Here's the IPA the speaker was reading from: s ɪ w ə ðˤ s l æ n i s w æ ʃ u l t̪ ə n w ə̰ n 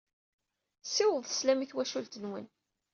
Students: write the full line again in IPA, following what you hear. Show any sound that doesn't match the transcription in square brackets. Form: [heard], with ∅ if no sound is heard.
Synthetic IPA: s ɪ w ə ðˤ s l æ [m] i [θ] w æ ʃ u l t̪ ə n w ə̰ n